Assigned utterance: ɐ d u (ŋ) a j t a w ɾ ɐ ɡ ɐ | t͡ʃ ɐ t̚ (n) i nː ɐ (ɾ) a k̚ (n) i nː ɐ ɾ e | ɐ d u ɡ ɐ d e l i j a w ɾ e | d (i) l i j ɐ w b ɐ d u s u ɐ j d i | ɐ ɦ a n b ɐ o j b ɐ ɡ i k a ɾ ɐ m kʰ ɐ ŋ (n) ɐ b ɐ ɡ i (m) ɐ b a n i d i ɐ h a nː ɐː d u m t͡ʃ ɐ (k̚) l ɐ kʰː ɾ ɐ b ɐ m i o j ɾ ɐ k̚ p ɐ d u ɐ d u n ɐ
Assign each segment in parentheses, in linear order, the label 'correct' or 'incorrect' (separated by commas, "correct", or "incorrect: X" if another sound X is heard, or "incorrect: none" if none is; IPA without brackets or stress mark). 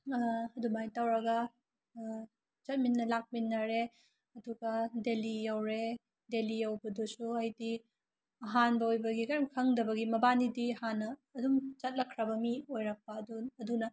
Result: incorrect: m, incorrect: m, incorrect: l, incorrect: m, incorrect: e, incorrect: d, correct, incorrect: t̚